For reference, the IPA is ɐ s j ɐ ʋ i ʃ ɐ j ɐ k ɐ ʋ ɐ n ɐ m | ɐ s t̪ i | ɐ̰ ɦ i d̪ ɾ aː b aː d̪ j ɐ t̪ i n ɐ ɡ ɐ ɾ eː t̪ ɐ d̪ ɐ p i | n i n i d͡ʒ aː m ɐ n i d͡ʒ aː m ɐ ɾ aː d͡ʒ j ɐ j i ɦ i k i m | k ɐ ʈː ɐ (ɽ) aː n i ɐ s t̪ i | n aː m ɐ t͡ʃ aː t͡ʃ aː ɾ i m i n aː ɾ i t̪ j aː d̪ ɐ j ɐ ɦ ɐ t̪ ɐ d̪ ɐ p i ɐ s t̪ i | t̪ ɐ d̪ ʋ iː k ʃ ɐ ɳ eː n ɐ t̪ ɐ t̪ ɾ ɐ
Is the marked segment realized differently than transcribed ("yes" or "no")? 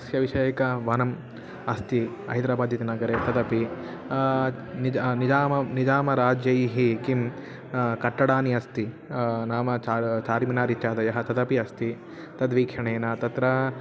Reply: no